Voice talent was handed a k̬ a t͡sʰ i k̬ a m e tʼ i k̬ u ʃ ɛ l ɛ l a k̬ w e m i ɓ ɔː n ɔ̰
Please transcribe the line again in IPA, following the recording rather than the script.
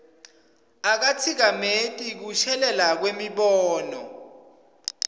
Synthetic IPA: a k̬ a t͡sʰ i k̬ a m e tʼ i k̬ u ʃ ɛ l ɛ l a k̬ w e m i ɓ ɔː n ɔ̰